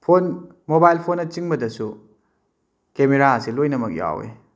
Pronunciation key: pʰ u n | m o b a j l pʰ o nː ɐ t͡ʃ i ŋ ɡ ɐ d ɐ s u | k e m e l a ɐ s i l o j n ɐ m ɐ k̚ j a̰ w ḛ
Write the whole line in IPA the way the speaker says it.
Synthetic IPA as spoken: pʰ o n | m o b a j l pʰ o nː ɐ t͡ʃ i ŋ b ɐ d ɐ s u | k e m e ɾ a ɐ s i l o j n ɐ m ɐ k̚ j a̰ w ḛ